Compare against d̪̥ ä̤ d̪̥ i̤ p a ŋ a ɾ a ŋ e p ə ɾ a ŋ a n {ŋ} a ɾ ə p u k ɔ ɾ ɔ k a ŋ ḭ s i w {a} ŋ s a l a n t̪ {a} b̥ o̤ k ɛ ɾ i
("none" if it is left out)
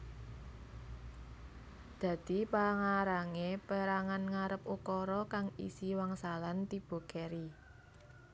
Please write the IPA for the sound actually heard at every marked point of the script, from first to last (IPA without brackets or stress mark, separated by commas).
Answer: ŋ, a, i